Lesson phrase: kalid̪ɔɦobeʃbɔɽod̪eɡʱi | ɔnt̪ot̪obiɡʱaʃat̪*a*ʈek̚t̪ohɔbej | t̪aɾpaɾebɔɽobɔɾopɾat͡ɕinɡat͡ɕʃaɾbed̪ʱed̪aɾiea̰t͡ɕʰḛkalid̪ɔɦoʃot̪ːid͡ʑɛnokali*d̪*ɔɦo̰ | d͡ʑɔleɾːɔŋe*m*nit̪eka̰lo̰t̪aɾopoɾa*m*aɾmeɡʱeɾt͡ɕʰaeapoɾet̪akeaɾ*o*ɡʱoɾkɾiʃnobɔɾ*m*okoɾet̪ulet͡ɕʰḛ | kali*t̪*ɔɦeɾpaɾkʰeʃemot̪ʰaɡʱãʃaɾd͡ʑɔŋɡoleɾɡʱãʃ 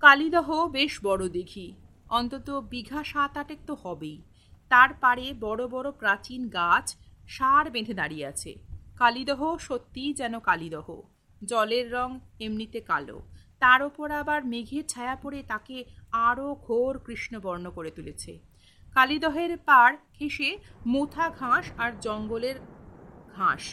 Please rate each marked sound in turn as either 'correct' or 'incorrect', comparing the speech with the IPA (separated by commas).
correct, correct, correct, incorrect, correct, incorrect, incorrect